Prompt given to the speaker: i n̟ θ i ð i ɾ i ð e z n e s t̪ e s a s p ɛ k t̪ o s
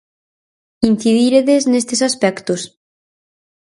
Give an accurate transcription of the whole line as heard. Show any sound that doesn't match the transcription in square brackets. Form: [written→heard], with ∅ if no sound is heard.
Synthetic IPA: i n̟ θ i ð i ɾ [i→e] ð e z n e s t̪ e s a s p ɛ k t̪ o s